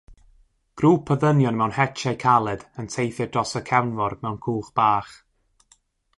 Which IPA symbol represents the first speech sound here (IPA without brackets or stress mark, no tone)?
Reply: ɡ̥